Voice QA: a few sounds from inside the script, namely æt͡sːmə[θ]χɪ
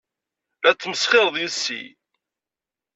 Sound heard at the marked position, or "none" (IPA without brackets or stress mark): s